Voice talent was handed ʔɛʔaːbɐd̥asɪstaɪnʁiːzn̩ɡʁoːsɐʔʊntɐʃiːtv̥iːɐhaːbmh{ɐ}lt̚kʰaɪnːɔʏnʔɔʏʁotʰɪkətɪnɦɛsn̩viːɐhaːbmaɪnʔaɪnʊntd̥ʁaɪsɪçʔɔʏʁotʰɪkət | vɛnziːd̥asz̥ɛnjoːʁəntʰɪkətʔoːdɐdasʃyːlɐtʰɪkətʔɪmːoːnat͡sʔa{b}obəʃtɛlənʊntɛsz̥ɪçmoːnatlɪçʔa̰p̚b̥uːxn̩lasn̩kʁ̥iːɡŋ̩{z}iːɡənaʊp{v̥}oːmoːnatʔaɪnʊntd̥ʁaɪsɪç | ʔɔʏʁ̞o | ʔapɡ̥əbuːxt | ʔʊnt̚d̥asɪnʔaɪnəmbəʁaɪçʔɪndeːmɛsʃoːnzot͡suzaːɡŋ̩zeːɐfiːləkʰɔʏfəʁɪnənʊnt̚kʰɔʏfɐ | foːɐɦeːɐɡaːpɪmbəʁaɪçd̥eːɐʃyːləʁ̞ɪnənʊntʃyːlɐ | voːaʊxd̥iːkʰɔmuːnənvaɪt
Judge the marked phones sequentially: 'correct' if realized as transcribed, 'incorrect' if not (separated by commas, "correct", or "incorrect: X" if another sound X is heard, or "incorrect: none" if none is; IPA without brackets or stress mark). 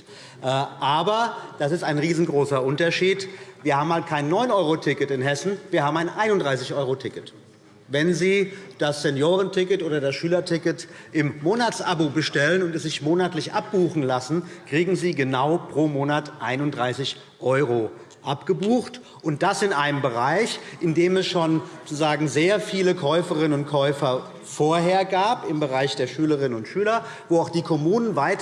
incorrect: a, correct, correct, incorrect: ʁ̥